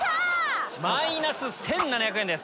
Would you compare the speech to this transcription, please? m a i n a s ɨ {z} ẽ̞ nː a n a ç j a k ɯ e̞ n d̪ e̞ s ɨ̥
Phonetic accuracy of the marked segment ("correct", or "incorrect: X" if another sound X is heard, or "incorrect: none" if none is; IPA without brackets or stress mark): incorrect: s